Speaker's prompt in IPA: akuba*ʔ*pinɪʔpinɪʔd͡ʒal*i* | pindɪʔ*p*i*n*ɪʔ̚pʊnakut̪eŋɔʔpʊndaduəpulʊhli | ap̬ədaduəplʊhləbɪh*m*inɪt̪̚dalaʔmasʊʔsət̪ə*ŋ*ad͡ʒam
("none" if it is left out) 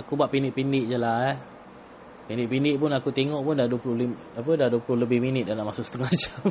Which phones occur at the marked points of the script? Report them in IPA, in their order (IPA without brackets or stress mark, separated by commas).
ʔ, a, p, n, m, ŋ